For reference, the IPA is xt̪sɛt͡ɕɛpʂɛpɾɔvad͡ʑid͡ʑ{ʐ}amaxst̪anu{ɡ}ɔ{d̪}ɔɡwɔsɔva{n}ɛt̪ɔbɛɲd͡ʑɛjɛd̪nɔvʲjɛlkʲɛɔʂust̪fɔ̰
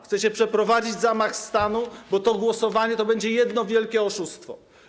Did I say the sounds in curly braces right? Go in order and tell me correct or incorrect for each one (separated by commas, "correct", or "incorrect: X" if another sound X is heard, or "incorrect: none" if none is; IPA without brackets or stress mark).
incorrect: z, incorrect: b, incorrect: t̪, incorrect: ɲ